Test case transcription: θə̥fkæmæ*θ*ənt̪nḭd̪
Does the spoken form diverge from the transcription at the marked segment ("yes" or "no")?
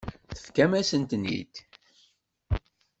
yes